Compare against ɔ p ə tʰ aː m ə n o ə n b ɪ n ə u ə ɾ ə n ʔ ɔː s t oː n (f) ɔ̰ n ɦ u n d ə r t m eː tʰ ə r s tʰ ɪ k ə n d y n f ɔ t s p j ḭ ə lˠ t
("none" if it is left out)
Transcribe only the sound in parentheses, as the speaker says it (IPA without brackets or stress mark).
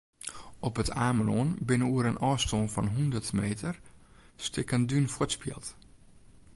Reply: f